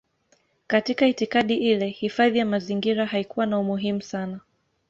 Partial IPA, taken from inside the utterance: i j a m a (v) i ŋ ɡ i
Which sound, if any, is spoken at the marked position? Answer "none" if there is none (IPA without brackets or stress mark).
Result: z